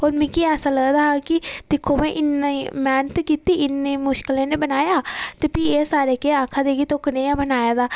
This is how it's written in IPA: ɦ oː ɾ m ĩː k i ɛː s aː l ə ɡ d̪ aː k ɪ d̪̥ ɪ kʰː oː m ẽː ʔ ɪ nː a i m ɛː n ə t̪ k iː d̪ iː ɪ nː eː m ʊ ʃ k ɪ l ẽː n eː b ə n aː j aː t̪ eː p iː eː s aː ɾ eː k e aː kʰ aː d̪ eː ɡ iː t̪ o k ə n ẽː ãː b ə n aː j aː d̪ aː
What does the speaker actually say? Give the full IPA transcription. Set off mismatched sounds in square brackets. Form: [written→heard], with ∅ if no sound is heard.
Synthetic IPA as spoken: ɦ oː ɾ m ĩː k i ɛː s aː l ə ɡ d̪ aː k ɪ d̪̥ ɪ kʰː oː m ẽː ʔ ɪ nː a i m ɛː n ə t̪ k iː [d̪→t̪] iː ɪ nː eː m ʊ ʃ k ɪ l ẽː n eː b ə n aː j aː t̪ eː p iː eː s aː ɾ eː k e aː kʰ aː d̪ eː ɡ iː t̪ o k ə n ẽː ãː b ə n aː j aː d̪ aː